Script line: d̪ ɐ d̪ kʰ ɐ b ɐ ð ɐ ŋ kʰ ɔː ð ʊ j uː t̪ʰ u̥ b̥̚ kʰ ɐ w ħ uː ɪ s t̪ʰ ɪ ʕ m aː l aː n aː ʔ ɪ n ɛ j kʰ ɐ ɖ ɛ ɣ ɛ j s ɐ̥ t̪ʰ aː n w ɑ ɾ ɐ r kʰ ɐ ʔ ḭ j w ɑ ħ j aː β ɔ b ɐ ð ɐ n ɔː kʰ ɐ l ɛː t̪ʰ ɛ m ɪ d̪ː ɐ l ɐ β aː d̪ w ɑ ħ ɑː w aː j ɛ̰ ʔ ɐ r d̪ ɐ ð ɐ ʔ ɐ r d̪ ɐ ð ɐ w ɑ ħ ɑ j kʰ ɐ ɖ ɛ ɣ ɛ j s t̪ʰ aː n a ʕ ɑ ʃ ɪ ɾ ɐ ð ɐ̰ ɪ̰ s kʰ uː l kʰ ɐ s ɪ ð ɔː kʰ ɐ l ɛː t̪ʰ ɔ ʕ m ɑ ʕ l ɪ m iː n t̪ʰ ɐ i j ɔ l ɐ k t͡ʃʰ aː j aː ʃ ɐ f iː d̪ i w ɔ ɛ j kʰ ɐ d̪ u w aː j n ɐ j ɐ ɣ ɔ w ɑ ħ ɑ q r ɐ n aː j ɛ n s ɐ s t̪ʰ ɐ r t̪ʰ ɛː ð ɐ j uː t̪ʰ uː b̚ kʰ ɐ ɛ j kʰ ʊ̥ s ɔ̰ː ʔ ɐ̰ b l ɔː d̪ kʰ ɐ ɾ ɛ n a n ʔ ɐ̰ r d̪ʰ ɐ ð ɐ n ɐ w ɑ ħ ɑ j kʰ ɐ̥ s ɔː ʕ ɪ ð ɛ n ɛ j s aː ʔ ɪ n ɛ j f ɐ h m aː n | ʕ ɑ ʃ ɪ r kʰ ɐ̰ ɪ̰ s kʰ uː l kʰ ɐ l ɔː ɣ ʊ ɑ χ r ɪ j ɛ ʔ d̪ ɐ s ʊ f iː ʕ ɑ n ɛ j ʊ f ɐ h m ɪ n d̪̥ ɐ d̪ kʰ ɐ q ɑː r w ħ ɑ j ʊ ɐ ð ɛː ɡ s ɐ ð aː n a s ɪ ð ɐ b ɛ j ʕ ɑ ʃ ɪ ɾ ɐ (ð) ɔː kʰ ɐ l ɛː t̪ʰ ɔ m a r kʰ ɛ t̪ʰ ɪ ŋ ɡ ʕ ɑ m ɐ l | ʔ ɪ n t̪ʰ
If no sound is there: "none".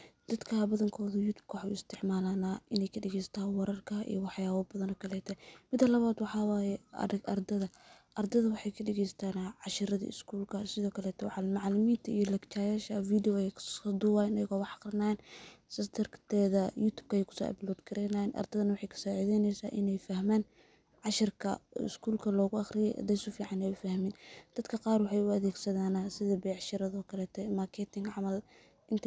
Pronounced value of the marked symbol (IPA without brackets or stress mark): ð